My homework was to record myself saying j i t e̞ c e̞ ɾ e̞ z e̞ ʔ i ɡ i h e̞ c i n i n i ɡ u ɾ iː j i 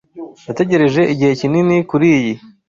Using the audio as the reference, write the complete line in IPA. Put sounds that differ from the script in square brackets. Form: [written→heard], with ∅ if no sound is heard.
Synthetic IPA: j [i→a] t e̞ [c→ɟ] e̞ ɾ e̞ [z→ʒ] e̞ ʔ i [ɡ→ɟ] i h e̞ c i n i n i [ɡ→k] u ɾ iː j i

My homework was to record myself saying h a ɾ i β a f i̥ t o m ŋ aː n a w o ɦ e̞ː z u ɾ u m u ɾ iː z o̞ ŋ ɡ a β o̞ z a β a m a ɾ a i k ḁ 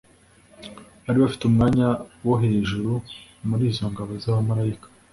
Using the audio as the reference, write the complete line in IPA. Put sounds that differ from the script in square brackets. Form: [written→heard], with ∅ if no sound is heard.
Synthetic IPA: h a ɾ i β a f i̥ t [o→u] m ŋ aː [n→ɲ] a w o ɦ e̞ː [z→ʒ] u ɾ u m u ɾ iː z o̞ ŋ ɡ a β o̞ z a β a m a ɾ a i k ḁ

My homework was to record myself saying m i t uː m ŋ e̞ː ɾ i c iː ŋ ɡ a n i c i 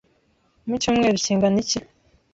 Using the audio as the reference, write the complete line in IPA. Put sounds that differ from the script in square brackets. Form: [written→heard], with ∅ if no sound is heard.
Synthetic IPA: m i [t→c] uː m ŋ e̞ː ɾ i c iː ŋ ɡ a n i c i

